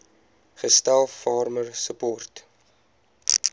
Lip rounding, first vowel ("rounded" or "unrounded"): unrounded